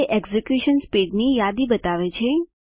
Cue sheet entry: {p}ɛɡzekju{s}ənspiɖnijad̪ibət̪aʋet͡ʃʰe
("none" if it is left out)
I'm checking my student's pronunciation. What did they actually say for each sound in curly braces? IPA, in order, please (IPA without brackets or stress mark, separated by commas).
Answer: ʔ, ʃ